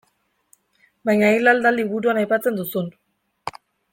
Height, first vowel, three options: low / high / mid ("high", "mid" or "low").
low